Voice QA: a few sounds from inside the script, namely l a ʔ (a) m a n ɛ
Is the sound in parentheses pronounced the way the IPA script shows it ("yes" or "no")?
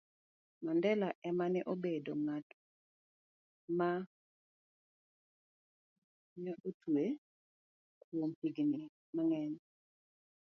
no